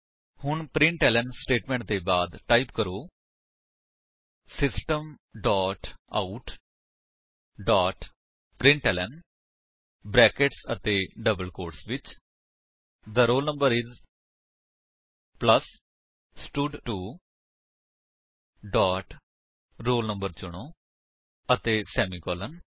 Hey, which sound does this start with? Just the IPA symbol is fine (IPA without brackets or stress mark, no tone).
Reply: h